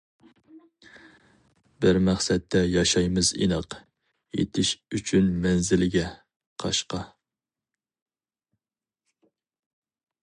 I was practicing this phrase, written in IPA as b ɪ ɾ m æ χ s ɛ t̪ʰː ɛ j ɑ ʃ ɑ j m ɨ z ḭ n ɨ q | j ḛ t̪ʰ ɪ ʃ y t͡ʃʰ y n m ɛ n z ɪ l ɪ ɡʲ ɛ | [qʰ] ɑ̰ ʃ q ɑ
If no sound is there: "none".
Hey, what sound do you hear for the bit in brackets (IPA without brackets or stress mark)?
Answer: qʰ